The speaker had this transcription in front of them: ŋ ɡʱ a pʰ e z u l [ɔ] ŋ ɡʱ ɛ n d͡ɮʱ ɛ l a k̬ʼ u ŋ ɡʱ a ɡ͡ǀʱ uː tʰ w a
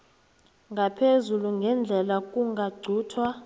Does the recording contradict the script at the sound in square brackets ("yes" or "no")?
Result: yes